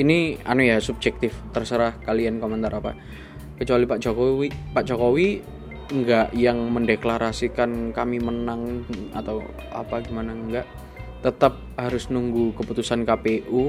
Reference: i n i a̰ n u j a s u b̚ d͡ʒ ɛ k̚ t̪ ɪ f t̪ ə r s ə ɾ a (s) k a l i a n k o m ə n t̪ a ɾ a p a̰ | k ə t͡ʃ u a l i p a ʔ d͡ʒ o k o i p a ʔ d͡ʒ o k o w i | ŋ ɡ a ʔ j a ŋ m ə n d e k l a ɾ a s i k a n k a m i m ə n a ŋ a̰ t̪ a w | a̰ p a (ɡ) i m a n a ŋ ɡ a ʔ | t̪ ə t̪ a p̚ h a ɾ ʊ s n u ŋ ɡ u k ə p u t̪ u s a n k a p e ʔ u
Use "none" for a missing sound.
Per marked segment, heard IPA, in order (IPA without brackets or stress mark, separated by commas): h, ɡ